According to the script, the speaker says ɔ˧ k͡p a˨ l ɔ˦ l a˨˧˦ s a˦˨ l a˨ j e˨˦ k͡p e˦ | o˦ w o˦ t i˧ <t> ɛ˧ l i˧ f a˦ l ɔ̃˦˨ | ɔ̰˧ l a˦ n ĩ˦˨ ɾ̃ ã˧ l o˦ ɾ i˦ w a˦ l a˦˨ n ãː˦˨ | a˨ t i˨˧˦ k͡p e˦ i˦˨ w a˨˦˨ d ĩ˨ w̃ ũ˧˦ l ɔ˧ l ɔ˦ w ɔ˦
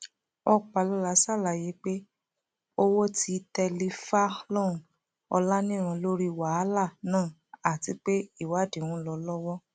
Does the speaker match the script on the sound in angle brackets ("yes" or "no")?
yes